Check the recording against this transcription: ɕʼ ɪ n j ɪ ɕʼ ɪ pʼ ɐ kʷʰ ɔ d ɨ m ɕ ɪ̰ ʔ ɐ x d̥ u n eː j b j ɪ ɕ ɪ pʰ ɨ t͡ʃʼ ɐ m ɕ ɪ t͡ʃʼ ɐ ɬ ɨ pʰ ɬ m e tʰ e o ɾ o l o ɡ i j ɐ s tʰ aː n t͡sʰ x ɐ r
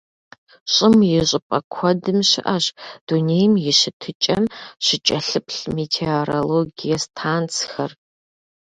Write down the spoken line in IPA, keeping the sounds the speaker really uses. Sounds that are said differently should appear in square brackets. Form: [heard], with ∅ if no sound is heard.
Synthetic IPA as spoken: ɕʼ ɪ [m] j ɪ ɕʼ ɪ pʼ ɐ kʷʰ ɔ d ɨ m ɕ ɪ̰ ʔ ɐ [ɕ] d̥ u n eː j [m] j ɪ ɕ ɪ [tʰ] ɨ t͡ʃʼ ɐ m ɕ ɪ t͡ʃʼ ɐ ɬ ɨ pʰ ɬ m e tʰ e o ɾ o l o ɡ i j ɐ s tʰ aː n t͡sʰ x ɐ r